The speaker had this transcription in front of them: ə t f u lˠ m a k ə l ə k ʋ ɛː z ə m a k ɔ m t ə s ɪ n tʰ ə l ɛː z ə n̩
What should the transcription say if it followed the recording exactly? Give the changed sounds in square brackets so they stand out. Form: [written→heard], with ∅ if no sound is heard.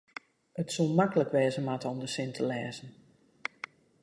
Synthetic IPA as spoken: ə t [f→s] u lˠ m a k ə l ə k ʋ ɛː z ə m a [k→t] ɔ m [t→d] ə s ɪ n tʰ ə l ɛː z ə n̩